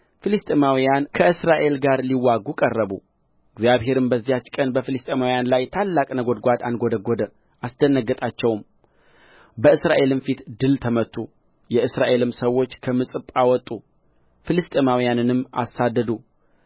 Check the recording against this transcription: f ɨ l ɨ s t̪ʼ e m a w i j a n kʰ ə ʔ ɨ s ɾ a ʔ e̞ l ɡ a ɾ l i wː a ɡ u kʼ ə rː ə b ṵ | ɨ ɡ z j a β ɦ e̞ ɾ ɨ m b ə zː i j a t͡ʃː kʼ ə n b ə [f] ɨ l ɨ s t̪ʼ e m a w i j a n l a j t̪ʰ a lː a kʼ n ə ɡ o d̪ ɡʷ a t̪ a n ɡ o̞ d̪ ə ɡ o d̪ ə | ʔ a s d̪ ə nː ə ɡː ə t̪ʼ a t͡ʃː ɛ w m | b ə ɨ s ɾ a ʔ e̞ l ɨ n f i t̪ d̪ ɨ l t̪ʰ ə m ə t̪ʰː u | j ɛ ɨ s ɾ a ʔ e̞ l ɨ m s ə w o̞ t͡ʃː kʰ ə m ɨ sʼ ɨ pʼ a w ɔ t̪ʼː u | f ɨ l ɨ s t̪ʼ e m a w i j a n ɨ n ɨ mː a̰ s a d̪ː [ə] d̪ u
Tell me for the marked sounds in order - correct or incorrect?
correct, correct

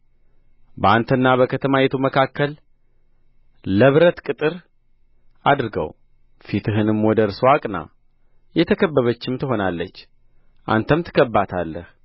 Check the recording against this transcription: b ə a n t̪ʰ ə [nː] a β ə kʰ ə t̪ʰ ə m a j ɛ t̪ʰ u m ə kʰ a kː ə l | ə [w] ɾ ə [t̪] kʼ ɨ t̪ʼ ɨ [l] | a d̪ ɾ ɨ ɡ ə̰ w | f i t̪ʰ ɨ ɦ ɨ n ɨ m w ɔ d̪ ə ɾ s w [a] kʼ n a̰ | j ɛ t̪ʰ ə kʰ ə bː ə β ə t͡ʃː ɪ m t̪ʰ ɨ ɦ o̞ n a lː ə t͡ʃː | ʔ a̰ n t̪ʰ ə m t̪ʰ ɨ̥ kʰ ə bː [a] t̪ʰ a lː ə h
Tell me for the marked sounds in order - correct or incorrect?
correct, incorrect: β, correct, incorrect: ɾ, correct, correct

